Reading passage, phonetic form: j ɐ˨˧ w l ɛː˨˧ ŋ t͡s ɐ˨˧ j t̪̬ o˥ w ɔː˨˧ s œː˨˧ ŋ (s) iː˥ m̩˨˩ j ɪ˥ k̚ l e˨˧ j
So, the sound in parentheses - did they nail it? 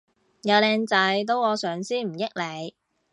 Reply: yes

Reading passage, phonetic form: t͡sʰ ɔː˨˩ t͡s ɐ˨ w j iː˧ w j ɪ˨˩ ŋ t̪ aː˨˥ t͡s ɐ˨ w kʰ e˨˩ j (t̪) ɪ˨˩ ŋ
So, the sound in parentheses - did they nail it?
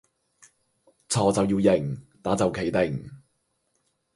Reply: yes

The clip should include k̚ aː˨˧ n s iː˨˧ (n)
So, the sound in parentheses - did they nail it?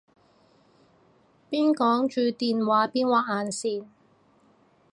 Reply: yes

